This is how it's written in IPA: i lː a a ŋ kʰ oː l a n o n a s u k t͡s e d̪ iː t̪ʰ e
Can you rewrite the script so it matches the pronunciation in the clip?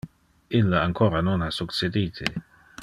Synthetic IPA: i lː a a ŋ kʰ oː ɾ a n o n a s u k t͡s e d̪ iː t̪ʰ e